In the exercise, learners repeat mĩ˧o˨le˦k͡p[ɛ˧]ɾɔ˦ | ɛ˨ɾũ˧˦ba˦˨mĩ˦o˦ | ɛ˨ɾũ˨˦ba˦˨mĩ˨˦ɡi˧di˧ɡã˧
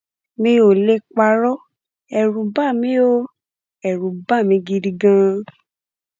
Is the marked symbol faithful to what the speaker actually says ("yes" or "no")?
no